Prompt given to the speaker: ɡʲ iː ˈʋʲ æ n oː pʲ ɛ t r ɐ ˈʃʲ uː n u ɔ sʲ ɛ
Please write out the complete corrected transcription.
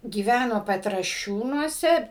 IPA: ɡʲ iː ˈʋʲ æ n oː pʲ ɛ t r ɐ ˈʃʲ uː n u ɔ sʲ ɛ